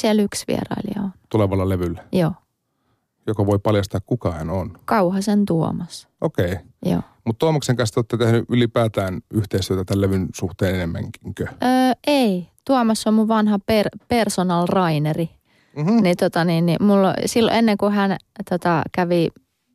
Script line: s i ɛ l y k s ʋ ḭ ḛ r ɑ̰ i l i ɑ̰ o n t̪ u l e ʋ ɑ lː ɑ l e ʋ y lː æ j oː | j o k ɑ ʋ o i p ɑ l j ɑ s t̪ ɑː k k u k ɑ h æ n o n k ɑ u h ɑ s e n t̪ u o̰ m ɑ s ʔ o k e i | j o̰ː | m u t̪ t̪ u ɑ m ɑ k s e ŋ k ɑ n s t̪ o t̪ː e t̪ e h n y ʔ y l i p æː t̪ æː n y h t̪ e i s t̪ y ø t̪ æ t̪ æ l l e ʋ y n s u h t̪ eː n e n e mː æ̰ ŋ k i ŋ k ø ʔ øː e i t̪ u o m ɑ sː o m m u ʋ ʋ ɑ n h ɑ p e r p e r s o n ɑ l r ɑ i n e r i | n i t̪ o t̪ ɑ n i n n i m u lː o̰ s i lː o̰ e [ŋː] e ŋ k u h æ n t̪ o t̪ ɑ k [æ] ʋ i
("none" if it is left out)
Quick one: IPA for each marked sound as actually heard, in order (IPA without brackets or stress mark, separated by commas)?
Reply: nː, æ